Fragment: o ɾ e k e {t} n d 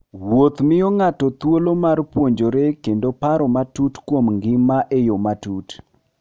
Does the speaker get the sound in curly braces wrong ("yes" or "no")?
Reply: yes